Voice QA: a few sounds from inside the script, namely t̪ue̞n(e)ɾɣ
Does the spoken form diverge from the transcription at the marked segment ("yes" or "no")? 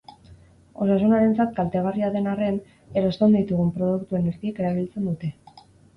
no